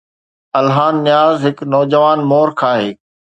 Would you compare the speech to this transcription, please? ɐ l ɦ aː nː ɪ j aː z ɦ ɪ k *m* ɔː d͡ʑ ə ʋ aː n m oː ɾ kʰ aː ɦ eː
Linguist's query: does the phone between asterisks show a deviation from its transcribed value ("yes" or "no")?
yes